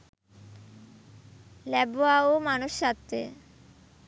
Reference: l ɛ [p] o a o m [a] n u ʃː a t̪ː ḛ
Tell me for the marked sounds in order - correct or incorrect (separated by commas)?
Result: incorrect, correct